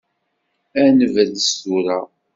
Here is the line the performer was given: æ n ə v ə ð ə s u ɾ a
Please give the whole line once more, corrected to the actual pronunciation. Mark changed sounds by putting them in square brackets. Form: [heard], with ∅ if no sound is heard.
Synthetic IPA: æ n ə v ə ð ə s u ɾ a